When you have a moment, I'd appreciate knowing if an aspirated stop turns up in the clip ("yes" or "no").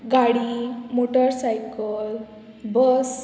no